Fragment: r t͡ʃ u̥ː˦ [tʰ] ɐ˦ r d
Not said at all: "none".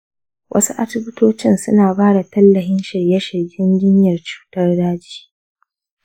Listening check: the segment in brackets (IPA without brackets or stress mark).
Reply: t